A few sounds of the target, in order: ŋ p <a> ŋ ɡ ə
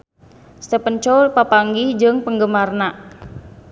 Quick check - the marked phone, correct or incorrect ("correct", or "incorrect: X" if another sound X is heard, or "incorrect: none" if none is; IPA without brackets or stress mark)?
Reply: incorrect: ə